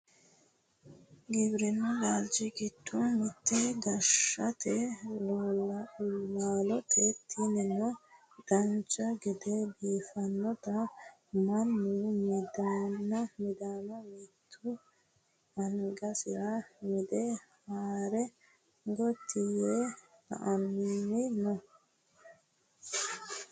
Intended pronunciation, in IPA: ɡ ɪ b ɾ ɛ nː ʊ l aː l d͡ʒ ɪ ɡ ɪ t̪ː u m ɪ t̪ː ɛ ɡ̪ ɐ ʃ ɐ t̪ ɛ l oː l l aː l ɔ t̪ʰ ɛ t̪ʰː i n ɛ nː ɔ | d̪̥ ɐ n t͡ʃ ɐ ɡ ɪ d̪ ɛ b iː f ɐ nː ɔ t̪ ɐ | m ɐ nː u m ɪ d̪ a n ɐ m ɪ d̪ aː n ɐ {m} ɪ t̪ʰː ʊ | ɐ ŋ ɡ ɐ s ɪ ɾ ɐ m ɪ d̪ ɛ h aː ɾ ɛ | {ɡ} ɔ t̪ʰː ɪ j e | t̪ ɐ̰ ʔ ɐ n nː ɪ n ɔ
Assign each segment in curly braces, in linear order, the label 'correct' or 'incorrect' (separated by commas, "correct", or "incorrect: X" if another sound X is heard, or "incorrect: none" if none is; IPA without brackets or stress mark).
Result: correct, correct